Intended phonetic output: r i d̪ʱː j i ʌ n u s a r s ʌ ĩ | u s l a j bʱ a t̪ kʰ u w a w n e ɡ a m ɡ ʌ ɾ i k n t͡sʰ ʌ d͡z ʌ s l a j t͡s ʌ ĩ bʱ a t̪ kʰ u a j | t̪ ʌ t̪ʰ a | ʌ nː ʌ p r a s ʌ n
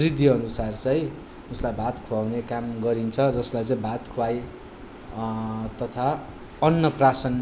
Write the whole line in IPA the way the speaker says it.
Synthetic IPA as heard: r i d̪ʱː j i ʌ n u s a r t͡s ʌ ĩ | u s l a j bʱ a t̪ kʰ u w a w n e k a m ɡ ʌ ɾ i n t͡sʰ ʌ d͡z ʌ s l a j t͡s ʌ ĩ bʱ a t̪ kʰ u a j | t̪ ʌ t̪ʰ a | ʌ nː ʌ p r a s ʌ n